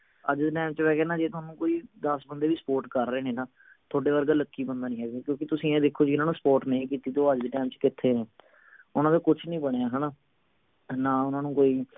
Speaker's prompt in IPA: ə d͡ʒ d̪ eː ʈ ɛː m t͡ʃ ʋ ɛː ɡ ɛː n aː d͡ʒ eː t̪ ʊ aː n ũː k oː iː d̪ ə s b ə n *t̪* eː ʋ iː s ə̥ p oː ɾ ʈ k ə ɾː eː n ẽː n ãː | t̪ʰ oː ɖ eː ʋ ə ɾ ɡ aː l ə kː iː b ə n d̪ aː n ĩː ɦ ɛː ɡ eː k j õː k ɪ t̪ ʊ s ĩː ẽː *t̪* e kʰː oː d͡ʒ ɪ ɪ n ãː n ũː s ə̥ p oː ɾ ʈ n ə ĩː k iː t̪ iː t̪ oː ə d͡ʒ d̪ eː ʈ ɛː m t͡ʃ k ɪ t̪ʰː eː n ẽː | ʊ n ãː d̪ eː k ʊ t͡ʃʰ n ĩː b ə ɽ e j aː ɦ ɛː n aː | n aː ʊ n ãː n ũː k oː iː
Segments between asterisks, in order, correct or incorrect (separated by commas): incorrect, incorrect